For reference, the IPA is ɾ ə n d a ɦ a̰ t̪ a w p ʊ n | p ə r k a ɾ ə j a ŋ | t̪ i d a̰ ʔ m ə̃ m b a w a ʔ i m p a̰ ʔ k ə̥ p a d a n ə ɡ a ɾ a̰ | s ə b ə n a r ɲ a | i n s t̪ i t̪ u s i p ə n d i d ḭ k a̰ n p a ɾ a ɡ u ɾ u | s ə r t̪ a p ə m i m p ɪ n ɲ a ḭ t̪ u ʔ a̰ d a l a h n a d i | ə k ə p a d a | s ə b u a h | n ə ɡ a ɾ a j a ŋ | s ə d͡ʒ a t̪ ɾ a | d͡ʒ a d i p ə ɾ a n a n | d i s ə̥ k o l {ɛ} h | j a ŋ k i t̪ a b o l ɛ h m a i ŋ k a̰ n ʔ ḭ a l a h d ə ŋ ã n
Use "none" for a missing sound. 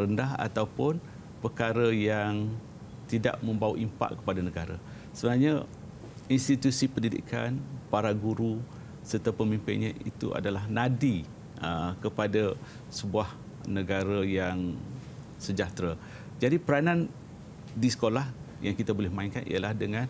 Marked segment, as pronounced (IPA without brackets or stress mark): a